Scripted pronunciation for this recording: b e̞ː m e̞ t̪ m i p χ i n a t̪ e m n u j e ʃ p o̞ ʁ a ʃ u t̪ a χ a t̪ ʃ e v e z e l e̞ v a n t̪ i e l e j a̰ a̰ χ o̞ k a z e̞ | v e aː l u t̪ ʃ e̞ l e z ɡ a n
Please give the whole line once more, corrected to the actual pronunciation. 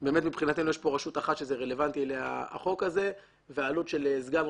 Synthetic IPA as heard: b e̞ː m e̞ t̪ m i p χ i n a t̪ e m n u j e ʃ p o̞ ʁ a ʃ u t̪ a χ a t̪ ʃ e z e ʁ e l e̞ v a n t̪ i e l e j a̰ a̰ χ o̞ k a z e̞ | v e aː l u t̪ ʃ e̞ l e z ɡ a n

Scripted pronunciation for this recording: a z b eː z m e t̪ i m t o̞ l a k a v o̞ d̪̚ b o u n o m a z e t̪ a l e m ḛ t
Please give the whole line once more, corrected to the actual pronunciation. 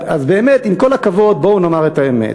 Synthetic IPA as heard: a z b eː m e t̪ i m k o̞ l a k a v o̞ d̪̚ b o u n o m a ʁ e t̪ a e m ḛ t

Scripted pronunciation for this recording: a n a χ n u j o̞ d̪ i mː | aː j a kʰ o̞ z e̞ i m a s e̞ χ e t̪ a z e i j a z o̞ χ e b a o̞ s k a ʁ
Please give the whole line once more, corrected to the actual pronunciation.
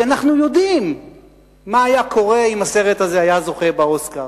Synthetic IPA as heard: a n a χ n u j o̞ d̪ i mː | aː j a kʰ o̞ ʁ e̞ i m a s e̞ ʁ e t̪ a z e a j a z o̞ χ e b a o̞ s k a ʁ

